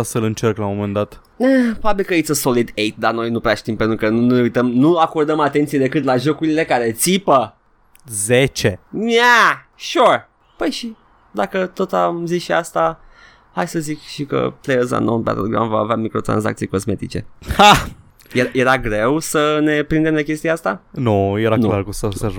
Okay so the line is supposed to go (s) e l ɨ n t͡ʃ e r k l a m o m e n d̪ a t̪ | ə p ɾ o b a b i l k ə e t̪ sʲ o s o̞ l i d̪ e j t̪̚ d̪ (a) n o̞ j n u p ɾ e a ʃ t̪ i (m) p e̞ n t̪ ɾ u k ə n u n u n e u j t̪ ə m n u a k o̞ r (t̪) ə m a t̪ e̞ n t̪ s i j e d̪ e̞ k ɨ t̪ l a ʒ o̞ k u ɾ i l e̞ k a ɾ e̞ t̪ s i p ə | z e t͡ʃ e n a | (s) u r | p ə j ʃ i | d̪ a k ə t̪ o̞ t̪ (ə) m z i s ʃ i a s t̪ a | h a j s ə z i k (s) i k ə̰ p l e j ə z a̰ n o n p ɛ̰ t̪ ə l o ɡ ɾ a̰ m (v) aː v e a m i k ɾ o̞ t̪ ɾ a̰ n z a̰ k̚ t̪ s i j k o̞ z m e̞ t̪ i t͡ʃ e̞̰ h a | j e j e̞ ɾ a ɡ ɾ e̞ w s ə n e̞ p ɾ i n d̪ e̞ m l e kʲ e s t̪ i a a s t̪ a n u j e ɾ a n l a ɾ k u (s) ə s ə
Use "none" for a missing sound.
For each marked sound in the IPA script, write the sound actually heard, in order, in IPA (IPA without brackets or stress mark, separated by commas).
s, a, m, d̪, ʃ, a, ʃ, v, s